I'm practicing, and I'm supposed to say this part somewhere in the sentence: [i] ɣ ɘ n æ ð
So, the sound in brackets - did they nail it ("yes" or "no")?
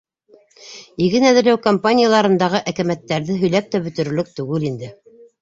yes